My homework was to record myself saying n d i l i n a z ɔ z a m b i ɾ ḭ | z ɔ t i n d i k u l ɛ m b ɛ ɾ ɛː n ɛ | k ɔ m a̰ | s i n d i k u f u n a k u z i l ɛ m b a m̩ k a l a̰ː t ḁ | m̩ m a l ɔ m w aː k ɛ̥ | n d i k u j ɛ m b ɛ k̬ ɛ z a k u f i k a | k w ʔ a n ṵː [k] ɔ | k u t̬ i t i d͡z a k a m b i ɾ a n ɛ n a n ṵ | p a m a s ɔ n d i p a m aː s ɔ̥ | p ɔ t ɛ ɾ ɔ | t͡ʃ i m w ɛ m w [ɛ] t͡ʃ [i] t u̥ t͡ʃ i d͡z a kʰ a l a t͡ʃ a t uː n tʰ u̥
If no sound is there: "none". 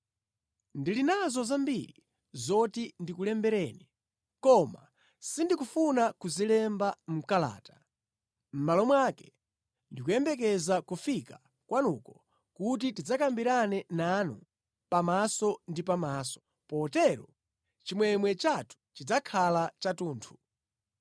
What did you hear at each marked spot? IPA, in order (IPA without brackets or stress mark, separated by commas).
k, ɛ, a